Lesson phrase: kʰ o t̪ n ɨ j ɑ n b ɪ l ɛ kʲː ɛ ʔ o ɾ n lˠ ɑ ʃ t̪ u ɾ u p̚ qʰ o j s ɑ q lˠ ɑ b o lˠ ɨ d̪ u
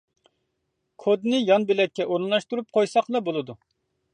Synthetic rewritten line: kʰ o d̪ n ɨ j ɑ n b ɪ l ɛ kʲː ɛ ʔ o ɾ n lˠ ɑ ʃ t̪ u ɾ u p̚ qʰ o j s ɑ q lˠ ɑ b o lˠ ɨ d̪ u